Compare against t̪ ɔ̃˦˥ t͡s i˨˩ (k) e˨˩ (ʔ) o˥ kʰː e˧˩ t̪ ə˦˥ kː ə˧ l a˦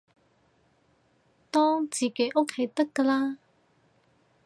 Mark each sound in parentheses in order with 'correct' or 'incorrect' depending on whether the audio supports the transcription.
correct, correct

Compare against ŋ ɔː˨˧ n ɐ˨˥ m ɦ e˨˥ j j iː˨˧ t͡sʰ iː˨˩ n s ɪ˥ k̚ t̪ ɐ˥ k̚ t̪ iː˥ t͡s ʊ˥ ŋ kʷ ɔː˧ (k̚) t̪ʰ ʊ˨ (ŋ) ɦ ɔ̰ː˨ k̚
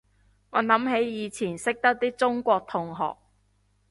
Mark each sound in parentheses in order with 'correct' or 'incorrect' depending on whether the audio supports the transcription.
correct, correct

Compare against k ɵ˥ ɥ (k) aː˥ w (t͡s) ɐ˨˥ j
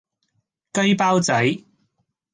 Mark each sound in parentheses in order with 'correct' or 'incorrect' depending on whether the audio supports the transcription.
incorrect: p, correct

